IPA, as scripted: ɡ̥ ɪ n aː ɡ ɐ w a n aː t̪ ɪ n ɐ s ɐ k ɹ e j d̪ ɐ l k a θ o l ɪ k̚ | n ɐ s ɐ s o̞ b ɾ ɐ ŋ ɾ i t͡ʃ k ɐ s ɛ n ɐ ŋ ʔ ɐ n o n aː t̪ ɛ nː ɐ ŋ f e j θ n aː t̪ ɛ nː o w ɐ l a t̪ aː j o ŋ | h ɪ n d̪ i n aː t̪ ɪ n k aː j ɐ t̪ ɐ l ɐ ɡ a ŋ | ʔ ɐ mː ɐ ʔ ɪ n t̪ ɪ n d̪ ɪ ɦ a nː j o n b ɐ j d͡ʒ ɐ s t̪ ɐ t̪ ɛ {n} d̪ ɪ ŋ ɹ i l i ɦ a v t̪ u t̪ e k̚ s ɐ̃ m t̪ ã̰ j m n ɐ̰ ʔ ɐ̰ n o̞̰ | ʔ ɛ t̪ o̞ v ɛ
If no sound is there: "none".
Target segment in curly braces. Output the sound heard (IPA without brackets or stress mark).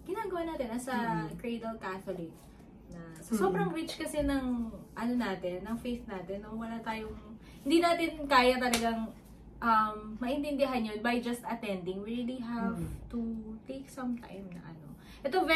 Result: n